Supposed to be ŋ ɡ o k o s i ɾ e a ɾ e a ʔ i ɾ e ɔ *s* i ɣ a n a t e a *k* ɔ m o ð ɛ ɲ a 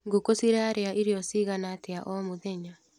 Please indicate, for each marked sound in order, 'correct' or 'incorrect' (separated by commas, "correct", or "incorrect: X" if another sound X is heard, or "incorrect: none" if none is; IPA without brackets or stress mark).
correct, incorrect: ʔ